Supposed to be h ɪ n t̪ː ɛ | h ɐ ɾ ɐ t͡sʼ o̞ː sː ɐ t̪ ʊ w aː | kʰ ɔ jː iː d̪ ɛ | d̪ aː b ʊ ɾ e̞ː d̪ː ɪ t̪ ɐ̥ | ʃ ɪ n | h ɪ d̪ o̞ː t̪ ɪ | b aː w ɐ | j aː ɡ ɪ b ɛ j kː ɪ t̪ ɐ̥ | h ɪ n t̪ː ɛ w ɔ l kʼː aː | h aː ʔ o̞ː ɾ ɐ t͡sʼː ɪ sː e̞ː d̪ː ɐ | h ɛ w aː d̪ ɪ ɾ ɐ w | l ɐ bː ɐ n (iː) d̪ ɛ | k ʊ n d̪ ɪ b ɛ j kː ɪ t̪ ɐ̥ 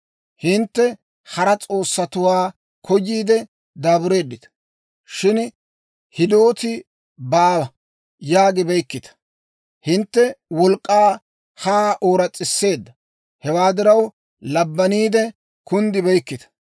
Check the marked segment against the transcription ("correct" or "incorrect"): correct